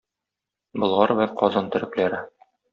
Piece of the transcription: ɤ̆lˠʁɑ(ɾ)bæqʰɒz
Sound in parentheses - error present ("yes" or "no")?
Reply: no